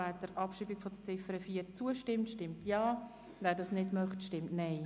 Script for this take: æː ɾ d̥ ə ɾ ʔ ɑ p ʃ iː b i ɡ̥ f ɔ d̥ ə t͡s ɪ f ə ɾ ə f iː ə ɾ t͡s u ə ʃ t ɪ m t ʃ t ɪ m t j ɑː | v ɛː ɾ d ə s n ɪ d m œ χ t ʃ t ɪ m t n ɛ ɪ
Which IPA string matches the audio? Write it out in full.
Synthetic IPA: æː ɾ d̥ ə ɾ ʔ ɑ p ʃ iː b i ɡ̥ f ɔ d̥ ə t͡s ɪ f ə ɾ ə f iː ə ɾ t͡s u ə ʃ t ɪ m t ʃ t ɪ m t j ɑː | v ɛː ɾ d ɑ s n ɪ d m œ χ t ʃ t ɪ m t n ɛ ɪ